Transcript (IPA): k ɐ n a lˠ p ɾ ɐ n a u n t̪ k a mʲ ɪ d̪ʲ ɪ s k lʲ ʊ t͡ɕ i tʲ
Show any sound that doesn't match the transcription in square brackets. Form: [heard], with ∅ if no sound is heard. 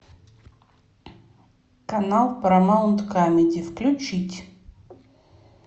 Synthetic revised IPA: k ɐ n a lˠ p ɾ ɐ [m] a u n t̪ k a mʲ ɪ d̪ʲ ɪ [f] k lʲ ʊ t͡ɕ i tʲ